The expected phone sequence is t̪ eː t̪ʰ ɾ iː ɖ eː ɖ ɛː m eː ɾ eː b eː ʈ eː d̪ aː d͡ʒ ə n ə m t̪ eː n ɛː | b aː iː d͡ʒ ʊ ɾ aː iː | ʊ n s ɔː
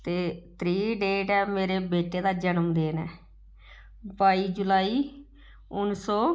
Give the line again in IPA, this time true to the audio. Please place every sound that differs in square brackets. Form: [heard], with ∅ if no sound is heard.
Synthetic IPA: t̪ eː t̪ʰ ɾ iː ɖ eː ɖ ɛː m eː ɾ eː b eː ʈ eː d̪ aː d͡ʒ ə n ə m [d̪] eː n ɛː | b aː iː d͡ʒ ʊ [l] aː iː | ʊ n s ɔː